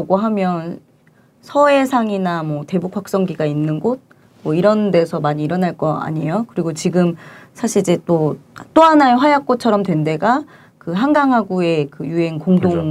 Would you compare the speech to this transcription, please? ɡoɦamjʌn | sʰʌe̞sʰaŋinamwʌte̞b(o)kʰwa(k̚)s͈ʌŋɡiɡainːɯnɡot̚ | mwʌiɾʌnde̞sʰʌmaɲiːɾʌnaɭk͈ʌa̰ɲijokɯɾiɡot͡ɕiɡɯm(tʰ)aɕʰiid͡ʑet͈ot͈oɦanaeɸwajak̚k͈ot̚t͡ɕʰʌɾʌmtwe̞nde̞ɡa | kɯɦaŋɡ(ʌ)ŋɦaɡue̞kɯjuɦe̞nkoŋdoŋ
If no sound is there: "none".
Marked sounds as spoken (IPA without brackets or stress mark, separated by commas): u, k̚, sʰ, a